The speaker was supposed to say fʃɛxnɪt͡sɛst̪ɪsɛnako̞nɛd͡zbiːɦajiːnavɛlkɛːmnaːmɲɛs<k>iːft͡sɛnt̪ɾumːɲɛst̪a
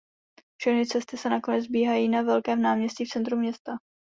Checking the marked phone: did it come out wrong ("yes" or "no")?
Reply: yes